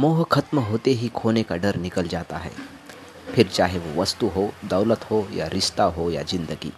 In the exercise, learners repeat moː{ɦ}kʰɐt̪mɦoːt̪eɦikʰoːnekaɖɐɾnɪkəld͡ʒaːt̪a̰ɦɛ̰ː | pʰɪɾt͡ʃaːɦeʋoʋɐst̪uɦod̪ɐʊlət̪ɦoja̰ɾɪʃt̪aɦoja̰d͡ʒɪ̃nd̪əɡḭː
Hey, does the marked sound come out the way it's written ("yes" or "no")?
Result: yes